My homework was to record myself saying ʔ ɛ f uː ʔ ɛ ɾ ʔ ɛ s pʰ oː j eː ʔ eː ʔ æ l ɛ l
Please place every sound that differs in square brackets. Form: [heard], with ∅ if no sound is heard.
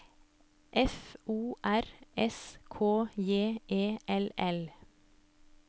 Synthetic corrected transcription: ʔ ɛ f uː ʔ [æ] ɾ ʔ ɛ s [kʰ] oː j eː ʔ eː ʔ [ɛ] l ɛ l